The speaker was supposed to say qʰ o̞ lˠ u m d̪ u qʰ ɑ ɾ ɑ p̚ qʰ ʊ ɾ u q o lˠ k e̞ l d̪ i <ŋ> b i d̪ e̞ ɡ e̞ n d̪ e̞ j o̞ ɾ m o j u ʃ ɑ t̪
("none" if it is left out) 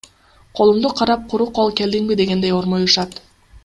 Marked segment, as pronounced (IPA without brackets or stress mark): ŋ